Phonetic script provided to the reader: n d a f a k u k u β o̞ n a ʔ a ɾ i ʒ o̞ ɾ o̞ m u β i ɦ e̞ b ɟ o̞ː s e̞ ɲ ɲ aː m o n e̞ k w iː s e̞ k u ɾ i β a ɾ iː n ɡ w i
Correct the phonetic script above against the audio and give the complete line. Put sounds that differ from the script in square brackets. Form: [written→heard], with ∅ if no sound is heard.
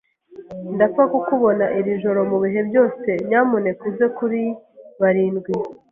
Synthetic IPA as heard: n d a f a k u k u β o̞ n a ʔ [a→i] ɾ i ʒ o̞ ɾ o̞ m u β i ɦ e̞ b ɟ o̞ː s e̞ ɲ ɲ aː m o n e̞ k w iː [s→z] e̞ k u ɾ i β a ɾ iː n ɡ w i